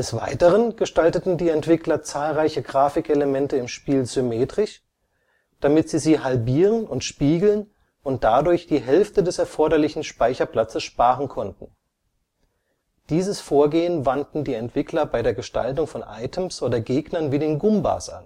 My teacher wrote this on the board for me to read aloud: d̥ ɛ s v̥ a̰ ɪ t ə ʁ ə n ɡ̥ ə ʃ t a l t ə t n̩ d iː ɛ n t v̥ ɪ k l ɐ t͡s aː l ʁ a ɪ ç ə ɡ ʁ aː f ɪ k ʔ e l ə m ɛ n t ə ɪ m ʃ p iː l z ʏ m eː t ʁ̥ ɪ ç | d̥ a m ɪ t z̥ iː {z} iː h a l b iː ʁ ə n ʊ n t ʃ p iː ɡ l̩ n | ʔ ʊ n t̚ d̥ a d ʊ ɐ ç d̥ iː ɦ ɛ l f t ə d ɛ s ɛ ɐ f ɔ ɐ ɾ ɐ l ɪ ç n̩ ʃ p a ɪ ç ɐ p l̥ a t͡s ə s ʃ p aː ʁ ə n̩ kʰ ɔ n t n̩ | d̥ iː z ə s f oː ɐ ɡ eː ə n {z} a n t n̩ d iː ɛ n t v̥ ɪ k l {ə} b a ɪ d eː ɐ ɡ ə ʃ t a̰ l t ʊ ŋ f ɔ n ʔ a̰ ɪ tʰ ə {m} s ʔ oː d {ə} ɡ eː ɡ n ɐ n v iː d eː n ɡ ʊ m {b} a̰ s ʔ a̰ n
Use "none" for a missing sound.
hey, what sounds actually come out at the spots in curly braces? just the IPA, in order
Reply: z, v, ɐ, m, ɐ, b

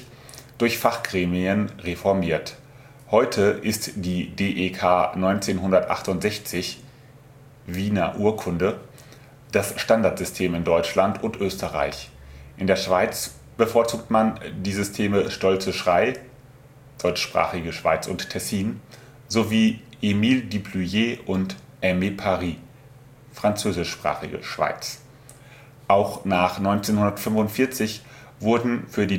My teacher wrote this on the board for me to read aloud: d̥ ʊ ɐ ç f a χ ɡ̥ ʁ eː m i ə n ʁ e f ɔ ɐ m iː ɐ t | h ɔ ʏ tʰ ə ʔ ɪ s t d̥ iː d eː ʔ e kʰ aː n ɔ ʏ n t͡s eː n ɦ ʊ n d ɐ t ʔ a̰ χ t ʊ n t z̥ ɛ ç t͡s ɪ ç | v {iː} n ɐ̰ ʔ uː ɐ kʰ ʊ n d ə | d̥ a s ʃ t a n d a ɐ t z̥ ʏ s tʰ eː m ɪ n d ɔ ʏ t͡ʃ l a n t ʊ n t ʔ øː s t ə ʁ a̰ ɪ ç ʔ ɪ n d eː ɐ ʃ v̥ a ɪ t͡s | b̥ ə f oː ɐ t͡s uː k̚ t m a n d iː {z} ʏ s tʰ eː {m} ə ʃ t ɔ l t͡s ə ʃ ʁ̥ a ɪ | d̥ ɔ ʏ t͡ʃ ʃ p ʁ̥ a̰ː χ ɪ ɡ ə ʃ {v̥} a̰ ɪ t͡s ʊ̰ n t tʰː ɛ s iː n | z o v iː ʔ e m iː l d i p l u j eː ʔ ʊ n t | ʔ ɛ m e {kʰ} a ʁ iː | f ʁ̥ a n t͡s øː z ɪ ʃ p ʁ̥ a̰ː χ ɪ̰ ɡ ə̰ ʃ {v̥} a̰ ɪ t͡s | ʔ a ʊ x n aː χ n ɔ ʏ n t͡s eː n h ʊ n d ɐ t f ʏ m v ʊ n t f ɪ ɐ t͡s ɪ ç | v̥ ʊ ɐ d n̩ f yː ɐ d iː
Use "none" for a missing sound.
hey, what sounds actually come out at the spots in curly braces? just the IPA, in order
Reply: iː, z, m, v̥, pʰ, v̥

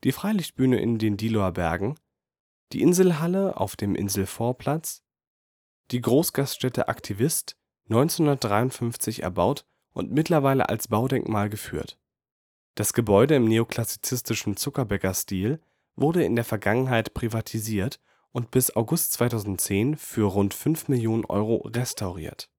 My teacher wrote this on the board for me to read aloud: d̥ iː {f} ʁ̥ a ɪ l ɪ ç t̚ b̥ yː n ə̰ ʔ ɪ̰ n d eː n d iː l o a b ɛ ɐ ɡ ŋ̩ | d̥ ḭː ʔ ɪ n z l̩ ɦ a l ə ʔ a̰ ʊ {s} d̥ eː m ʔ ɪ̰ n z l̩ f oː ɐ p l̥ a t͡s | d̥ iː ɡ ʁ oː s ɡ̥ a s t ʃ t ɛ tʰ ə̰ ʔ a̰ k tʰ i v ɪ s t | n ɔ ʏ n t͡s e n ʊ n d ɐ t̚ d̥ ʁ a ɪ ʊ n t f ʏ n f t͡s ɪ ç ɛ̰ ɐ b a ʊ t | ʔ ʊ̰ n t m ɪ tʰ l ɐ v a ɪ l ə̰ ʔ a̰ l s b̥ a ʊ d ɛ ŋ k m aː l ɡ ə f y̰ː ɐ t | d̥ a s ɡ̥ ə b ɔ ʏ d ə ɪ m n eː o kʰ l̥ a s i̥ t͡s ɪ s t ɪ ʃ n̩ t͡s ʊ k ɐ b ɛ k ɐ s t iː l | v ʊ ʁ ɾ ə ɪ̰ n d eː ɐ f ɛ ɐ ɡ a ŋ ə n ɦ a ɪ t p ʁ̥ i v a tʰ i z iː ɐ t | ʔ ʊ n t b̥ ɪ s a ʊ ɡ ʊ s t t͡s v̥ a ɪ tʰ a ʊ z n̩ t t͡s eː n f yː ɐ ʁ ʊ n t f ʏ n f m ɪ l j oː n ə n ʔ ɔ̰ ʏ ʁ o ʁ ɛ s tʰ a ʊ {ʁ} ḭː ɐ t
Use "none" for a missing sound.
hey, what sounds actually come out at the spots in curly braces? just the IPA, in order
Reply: f, f, ʁ

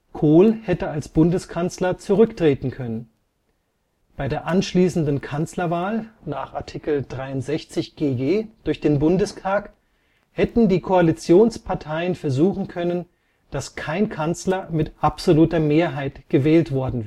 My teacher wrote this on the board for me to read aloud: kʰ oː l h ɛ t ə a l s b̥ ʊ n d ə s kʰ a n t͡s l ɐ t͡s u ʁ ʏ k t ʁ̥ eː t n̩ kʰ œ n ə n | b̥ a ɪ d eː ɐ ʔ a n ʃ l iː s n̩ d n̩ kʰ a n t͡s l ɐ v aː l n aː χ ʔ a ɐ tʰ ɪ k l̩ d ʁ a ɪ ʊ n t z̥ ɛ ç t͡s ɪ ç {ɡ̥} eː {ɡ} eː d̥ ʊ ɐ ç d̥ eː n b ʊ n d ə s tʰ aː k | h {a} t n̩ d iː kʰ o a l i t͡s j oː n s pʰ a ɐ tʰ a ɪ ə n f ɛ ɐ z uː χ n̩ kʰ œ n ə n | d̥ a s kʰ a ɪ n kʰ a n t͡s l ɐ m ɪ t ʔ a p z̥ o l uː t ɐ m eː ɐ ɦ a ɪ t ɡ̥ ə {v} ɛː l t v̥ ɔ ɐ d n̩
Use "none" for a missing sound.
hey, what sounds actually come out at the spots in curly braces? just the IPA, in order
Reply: ɡ̥, ɡ, ɛ, v

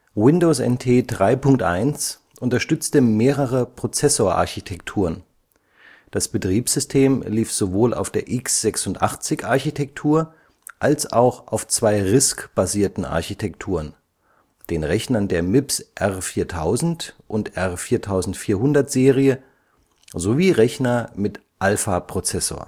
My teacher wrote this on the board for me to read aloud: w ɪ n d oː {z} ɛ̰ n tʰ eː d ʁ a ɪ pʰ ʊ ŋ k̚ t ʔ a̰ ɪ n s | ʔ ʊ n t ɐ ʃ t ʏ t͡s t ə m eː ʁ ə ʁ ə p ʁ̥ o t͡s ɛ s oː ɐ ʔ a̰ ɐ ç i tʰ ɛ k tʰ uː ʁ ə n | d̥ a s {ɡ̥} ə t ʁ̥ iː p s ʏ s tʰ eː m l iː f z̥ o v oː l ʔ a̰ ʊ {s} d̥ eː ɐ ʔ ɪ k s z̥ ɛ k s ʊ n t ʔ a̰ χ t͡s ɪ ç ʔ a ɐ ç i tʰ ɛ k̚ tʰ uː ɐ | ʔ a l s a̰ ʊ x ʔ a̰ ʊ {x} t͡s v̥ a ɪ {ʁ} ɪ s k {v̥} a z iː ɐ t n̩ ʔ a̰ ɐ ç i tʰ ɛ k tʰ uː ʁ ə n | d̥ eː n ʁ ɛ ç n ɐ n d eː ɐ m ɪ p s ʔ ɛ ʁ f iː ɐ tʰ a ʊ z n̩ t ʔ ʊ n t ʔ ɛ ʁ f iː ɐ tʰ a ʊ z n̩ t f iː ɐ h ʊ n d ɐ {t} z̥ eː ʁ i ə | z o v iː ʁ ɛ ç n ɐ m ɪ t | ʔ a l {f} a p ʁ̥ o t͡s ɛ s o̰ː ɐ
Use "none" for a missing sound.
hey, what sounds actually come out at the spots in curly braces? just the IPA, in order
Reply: s, b̥, f, f, ʁ, b̥, t, f

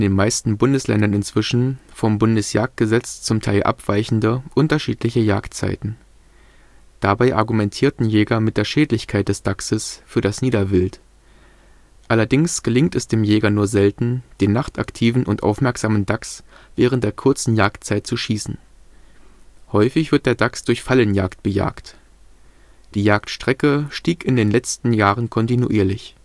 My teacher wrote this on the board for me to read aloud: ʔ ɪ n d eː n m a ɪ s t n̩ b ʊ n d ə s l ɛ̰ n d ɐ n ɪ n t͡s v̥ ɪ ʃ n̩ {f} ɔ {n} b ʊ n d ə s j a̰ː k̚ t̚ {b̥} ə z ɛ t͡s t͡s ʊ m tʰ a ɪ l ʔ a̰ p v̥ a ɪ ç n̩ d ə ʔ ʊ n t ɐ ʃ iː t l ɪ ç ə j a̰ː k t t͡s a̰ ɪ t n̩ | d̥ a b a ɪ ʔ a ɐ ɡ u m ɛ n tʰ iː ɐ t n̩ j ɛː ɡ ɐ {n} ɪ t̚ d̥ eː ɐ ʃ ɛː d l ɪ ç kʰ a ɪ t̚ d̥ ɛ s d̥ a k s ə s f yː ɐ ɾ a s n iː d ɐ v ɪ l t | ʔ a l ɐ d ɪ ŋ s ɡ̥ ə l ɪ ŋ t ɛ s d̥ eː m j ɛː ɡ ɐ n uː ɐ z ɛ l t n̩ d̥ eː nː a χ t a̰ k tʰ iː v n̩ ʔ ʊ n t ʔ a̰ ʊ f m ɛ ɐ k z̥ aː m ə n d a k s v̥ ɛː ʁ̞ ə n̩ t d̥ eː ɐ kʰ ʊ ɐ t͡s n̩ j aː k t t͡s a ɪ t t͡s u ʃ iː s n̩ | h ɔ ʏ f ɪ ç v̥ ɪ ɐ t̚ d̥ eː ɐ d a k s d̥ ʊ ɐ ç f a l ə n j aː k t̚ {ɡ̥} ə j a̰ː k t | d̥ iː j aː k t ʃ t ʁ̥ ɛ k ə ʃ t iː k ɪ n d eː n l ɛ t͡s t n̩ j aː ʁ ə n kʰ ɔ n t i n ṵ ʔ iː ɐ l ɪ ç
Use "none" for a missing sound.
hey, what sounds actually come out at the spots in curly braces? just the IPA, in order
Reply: f, m, ɡ̥, m, b̥

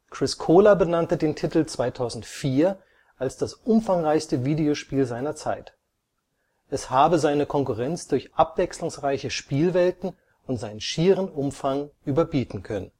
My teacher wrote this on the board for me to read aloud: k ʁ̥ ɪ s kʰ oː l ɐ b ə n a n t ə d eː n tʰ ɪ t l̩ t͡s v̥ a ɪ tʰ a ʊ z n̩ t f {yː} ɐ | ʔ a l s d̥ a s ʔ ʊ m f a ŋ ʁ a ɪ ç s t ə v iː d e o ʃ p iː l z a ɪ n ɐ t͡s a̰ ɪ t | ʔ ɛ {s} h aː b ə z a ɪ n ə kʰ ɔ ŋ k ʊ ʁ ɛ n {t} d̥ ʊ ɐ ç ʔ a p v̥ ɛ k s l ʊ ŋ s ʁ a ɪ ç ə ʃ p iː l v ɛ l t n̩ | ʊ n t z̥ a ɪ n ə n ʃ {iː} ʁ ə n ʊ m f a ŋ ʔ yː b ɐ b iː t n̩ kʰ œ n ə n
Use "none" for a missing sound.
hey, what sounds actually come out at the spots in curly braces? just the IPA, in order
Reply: iː, s, t͡s, iː

